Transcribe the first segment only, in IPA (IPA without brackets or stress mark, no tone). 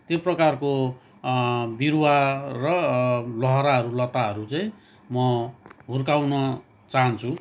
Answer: t̪